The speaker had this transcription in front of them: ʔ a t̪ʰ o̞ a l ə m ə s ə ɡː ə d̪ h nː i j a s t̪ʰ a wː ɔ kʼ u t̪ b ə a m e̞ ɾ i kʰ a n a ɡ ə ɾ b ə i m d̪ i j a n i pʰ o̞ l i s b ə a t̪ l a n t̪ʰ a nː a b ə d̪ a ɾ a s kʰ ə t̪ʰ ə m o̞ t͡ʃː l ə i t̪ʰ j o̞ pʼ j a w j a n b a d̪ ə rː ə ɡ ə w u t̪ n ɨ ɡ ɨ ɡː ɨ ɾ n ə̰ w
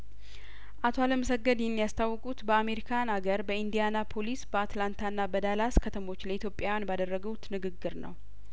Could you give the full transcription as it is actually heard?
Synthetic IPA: ʔ a t̪ʰ o̞ a l ə m ə s ə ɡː ə d̪ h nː i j a s t̪ʰ a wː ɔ kʼ u t̪ b ə a m e̞ ɾ i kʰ a n a ɡ ə ɾ b ə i n d̪ i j a n a pʰ o̞ l i s b ə a t̪ l a n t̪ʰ a nː a b ə d̪ a l a s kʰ ə t̪ʰ ə m o̞ t͡ʃː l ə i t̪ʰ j o̞ pʼ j a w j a n b a d̪ ə rː ə ɡ ə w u t̪ n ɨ ɡ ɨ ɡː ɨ ɾ n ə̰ w